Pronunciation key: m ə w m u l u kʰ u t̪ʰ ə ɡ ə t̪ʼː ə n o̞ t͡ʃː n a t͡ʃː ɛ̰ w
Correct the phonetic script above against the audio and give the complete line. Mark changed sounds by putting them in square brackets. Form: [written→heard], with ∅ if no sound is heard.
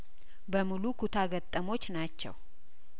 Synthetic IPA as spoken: [m→b] ə [w→∅] m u l u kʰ u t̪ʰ [ə→a] ɡ ə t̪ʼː ə [n→m] o̞ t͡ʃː n a t͡ʃː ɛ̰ w